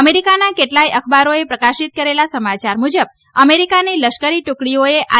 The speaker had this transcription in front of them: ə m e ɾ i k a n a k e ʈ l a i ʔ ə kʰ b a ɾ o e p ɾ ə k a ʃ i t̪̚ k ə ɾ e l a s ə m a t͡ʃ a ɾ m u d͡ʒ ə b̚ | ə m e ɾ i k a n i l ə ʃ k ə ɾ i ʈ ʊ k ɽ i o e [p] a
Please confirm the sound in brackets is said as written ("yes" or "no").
no